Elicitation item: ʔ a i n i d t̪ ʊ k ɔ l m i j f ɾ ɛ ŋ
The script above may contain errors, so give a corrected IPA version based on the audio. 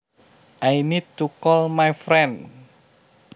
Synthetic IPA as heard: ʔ a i n i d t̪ u k ɔ l m a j f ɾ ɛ n